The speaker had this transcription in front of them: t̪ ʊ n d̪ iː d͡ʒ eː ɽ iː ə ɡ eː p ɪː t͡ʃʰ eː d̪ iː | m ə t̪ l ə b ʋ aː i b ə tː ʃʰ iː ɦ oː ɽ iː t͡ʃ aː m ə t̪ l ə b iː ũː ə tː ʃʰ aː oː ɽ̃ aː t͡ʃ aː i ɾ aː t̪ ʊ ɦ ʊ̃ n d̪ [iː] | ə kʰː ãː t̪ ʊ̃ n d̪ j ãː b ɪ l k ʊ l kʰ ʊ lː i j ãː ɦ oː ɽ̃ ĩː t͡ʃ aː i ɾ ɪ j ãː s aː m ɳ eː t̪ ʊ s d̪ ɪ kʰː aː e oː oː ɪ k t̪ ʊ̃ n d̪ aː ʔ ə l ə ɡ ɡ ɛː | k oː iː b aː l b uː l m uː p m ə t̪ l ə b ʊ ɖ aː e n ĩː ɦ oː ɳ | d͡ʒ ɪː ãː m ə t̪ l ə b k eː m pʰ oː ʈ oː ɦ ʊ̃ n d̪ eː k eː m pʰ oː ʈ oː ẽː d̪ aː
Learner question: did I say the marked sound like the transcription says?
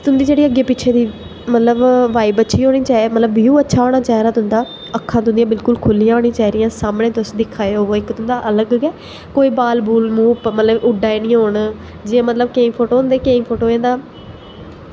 no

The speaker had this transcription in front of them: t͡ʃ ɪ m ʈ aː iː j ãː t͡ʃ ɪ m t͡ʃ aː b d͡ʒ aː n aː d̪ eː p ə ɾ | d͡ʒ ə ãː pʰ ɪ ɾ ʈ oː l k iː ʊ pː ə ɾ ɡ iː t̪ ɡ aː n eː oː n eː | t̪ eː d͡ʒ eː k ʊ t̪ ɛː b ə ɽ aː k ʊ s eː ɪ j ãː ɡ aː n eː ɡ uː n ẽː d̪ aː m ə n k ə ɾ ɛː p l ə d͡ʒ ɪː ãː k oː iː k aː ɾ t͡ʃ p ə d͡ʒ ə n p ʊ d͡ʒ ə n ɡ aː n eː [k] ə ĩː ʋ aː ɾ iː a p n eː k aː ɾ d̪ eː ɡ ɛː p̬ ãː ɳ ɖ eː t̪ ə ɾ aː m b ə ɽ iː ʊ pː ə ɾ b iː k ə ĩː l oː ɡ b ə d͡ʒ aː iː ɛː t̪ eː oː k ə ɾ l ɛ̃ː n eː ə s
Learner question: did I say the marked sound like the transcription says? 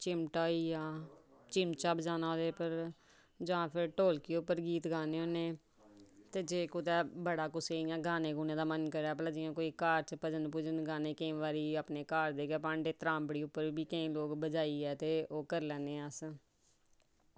yes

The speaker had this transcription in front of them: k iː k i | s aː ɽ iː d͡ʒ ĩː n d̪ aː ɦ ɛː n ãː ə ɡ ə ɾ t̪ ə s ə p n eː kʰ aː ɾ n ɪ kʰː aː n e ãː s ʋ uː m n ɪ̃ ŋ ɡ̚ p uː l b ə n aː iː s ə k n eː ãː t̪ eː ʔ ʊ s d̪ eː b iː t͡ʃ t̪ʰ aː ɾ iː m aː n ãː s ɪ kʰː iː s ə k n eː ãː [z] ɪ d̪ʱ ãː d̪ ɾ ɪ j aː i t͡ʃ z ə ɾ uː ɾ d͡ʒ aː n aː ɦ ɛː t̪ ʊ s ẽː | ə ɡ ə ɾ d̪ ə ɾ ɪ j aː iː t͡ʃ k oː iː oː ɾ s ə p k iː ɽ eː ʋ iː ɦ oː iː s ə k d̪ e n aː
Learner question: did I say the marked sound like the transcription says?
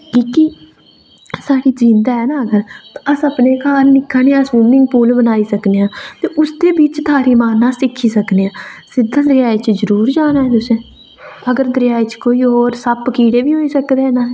no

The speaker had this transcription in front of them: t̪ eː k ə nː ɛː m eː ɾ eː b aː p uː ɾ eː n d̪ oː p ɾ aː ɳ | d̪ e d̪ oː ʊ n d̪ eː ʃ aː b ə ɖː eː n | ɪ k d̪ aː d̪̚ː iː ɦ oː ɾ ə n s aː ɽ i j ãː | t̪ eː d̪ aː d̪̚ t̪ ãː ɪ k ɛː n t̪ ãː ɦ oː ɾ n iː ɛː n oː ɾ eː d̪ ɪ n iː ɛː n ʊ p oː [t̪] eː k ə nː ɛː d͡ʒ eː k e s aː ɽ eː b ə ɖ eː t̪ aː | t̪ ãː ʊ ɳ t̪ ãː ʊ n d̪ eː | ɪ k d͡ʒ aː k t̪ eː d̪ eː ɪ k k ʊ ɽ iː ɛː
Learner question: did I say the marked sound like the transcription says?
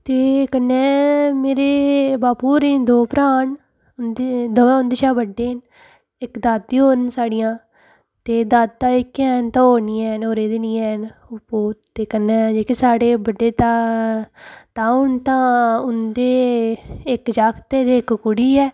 yes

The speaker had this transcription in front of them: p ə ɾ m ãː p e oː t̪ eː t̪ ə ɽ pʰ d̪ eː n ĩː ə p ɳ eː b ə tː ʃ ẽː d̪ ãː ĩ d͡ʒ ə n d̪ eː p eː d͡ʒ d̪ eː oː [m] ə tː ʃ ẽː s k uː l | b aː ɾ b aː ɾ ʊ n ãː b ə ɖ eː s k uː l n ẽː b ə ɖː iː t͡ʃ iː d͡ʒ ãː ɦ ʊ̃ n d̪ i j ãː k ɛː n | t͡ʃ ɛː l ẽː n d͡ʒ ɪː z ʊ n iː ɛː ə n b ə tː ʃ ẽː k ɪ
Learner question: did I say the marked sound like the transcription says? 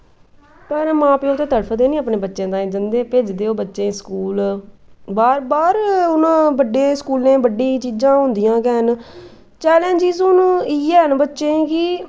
no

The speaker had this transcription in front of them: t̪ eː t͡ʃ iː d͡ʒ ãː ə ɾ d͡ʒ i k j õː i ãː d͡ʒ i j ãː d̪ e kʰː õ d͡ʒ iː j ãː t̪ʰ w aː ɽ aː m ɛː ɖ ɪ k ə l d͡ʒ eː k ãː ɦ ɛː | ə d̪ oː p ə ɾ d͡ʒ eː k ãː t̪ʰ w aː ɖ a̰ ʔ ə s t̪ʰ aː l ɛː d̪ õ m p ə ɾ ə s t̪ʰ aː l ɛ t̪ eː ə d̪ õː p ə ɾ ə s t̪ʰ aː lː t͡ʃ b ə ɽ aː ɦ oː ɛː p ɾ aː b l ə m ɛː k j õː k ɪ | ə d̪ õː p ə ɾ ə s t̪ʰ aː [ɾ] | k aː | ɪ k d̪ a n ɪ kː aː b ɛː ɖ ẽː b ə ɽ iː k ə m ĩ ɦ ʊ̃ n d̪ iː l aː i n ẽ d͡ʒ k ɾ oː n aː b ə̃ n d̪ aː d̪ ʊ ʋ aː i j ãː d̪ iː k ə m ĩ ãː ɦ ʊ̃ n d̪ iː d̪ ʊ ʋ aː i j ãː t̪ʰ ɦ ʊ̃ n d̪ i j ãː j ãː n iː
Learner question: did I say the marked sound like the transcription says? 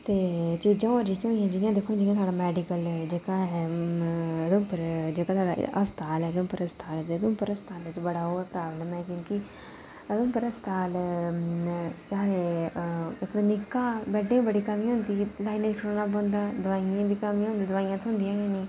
no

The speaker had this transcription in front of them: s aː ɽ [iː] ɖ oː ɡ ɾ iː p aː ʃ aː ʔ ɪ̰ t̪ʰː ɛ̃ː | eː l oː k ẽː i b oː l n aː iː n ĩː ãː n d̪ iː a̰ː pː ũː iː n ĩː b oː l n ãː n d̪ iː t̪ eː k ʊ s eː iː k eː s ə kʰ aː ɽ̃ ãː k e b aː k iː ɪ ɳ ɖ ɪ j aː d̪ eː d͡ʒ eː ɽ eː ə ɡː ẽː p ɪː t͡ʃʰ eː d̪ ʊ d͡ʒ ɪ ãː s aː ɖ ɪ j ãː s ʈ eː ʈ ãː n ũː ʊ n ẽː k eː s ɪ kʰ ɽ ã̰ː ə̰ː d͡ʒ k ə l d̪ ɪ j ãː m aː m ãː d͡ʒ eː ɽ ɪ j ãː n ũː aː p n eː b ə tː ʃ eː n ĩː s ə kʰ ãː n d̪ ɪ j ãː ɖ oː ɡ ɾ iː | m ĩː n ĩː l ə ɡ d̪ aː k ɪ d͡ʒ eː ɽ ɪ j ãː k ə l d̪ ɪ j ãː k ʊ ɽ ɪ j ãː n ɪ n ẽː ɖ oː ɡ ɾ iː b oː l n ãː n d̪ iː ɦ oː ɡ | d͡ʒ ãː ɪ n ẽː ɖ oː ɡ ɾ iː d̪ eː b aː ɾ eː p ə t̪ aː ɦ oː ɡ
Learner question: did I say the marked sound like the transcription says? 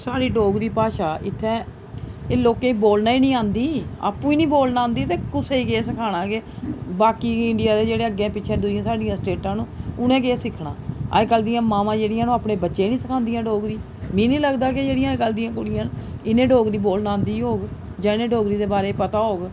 yes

